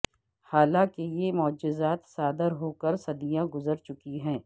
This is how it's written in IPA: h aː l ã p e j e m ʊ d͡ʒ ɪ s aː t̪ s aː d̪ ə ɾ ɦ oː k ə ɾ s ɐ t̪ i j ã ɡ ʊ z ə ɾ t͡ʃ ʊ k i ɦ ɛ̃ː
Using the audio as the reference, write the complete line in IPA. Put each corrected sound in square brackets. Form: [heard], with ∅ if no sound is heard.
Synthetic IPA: h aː l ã [k] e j e m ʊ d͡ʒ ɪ [z] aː t̪ s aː d̪ ə ɾ ɦ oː k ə ɾ s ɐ [d̪] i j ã ɡ ʊ z ə ɾ t͡ʃ ʊ k i ɦ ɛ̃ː